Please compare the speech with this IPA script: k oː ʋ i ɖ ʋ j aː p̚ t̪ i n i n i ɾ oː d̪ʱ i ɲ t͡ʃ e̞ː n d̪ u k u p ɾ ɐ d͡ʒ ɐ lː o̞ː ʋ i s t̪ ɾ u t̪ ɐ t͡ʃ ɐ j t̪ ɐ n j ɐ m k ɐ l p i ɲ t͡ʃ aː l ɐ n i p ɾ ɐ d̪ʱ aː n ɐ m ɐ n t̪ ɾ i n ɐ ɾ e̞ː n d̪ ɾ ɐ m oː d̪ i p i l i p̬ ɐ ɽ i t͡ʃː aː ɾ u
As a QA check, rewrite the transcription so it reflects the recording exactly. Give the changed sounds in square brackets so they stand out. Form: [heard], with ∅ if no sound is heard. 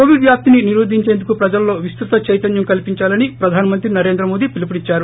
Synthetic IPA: k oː ʋ i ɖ ʋ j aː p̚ t̪ i n i n i ɾ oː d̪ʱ i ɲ t͡ʃ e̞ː n d̪ u k u p ɾ ɐ d͡ʒ ɐ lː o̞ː ʋ i s t̪ ɾ u t̪ ɐ t͡ʃ ɐ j t̪ ɐ n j ɐ m k ɐ l p i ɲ t͡ʃ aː l ɐ n i p ɾ ɐ d̪ʱ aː n ɐ m ɐ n t̪ ɾ i n ɐ ɾ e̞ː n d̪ ɾ ɐ m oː d̪ i p i l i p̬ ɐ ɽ i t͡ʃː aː ɾ u